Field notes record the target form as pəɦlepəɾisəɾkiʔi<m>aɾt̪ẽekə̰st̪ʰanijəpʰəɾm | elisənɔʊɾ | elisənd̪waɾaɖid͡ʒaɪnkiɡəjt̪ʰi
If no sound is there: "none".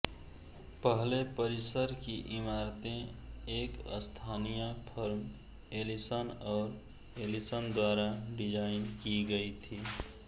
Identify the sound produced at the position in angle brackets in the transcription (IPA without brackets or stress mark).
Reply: m